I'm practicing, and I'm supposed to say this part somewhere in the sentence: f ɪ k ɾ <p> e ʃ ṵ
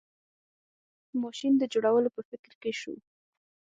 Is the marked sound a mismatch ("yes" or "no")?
yes